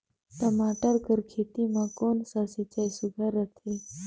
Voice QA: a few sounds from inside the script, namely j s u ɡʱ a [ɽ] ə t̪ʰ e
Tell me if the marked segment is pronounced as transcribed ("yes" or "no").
no